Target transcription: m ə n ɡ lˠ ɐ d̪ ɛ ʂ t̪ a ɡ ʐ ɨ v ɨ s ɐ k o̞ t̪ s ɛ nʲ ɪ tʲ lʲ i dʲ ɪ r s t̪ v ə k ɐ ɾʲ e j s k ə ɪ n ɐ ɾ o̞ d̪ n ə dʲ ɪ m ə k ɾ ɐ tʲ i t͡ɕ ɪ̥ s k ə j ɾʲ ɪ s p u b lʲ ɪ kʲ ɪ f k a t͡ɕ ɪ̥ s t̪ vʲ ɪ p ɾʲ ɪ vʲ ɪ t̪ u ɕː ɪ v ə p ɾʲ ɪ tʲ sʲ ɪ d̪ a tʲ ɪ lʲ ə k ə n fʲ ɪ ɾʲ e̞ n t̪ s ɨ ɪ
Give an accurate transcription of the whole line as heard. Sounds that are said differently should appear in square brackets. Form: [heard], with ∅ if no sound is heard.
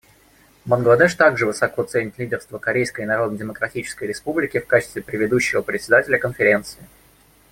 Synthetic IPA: m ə n ɡ lˠ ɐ d̪ ɛ ʂ t̪ a ɡ ʐ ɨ v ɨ s ɐ k o̞ t̪ s ɛ nʲ ɪ tʲ lʲ i dʲ ɪ r s t̪ v ə k ɐ ɾʲ e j s k ə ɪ n ɐ ɾ o̞ d̪ n ə dʲ ɪ m ə k ɾ ɐ tʲ i t͡ɕ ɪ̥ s k ə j ɾʲ ɪ s p u b lʲ ɪ kʲ ɪ f k a t͡ɕ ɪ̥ s t̪ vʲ ɪ p ɾʲ ɪ vʲ ɪ [d̪] u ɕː ɪ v ə p ɾʲ ɪ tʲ sʲ ɪ d̪ a tʲ ɪ lʲ ə k ə n fʲ ɪ ɾʲ e̞ n t̪ s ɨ ɪ